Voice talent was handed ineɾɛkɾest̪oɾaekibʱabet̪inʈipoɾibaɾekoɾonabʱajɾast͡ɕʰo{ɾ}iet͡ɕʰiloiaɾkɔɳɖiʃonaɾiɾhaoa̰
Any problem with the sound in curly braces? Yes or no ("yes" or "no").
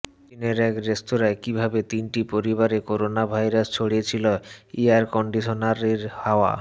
yes